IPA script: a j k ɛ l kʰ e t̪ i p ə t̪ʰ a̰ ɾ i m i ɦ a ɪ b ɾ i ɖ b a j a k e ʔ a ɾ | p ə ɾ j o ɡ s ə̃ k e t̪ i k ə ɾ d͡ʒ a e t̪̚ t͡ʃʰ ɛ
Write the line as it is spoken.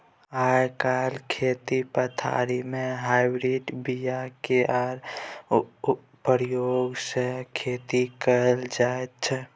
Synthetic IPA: a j k a l kʰ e t̪ i p ə t̪ʰ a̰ ɾ i m e ɦ a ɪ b ɾ i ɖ b i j a k e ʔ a ɾ | p ə ɾ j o ɡ s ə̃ kʰ e t̪ i k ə l d͡ʒ a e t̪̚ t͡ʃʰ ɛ

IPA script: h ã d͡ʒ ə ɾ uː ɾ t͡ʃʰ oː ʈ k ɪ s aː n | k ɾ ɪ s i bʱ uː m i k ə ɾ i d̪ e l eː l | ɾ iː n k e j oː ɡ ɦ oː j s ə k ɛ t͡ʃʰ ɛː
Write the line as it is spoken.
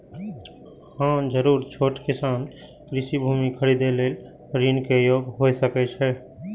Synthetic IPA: h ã d͡ʒ ə ɾ uː ɾ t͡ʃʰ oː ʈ k ɪ s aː n | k ɾ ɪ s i bʱ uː m i kʰ ə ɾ i d̪ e l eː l | ɾ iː n k e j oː ɡ ɦ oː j s ə k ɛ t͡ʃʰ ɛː

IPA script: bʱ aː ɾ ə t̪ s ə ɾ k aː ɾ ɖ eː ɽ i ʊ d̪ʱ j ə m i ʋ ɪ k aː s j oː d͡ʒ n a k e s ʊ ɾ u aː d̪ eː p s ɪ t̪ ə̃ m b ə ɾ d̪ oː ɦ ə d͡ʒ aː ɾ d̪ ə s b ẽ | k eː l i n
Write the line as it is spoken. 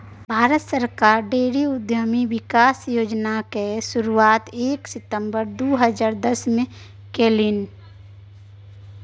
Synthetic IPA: bʱ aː ɾ ə t̪ s ə ɾ k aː ɾ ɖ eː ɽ i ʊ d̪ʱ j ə m i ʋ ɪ k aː s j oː d͡ʒ n a k e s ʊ ɾ u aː t̪ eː k s ɪ t̪ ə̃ m b ə ɾ d̪ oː ɦ ə d͡ʒ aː ɾ d̪ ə s m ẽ | k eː l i n

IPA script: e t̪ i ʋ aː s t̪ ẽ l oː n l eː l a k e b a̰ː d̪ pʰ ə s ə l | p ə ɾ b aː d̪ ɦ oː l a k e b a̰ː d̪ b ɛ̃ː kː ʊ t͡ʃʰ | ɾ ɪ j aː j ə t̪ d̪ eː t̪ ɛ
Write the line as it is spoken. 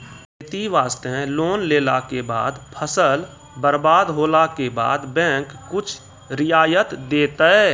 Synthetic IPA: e t̪ i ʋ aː s t̪ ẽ l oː n l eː l a k e b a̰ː d̪ pʰ ə s ə l | b ə ɾ b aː d̪ ɦ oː l a k e b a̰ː d̪ b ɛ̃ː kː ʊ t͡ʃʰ | ɾ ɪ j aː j ə t̪ d̪ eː t̪ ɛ

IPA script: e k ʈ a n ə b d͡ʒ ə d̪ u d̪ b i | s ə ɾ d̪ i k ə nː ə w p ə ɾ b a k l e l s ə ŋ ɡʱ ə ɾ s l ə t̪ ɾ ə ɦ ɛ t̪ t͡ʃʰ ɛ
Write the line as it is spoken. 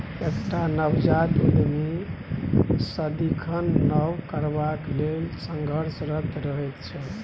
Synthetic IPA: e k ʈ a n ə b d͡ʒ a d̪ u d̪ m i | s ə d̪ i kʰ ə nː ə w k ə ɾ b a k l e l s ə ŋ ɡʱ ə ɾ s ɾ ə t̪ ɾ ə ɦ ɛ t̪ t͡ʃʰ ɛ

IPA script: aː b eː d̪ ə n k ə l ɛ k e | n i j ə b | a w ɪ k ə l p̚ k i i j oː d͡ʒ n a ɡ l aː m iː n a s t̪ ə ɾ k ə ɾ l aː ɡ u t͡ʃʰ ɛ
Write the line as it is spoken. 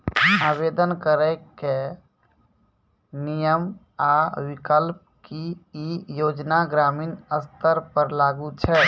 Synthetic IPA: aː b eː d̪ ə n k ə ɾ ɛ k e | n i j ə m | a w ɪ k ə l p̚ k i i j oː d͡ʒ n a ɡ ɾ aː m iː n ə s t̪ ə ɾ p ə ɾ l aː ɡ u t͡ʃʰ ɛ

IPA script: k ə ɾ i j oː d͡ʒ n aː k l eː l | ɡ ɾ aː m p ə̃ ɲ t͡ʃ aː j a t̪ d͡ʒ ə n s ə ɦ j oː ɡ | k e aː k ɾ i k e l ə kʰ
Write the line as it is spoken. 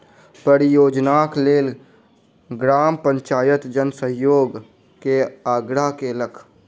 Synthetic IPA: p ə ɾ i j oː d͡ʒ n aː k l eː l | ɡ ɾ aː m p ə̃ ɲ t͡ʃ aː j ə t̪ d͡ʒ ə n s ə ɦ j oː ɡ | k e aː ɡ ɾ a k e l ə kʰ

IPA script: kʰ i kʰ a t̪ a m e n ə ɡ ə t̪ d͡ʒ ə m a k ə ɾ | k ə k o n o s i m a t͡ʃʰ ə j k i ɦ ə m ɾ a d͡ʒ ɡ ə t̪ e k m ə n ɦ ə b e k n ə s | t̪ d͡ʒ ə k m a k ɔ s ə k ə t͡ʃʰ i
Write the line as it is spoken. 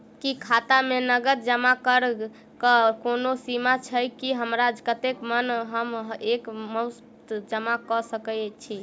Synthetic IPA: k i kʰ a t̪ a m e n ə ɡ ə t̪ d͡ʒ ə m a k ə ɾ | k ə k o n o s i m a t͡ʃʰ ə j k i ɦ ə m ɾ a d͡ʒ k ə t̪ e k m ə n ɦ ə m e k m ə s | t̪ d͡ʒ ə m a k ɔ s ə k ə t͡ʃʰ i

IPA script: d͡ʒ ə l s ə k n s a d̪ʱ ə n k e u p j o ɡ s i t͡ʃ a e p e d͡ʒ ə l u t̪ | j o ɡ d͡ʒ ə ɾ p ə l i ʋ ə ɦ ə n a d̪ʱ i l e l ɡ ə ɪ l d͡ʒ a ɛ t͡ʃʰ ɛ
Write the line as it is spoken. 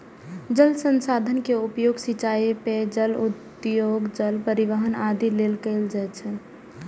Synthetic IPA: d͡ʒ ə l s ə n s a d̪ʱ ə n k e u p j o ɡ s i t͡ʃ a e p e d͡ʒ ə l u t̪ | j o ɡ d͡ʒ ə l p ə ɾ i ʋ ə ɦ ə n a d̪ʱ i l e l k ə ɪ l d͡ʒ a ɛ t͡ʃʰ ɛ

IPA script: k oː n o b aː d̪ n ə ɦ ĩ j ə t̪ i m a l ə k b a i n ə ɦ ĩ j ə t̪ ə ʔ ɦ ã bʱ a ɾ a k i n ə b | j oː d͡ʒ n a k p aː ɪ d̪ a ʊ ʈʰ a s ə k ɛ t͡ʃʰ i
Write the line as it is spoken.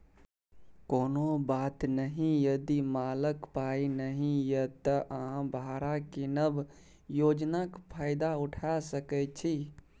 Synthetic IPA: k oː n o b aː t̪ n ə ɦ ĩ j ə d̪ i m a l ə k p a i n ə ɦ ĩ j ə t̪ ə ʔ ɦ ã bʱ a ɾ a k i n ə b | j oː d͡ʒ n a k pʰ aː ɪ d̪ a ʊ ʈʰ a s ə k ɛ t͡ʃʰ i

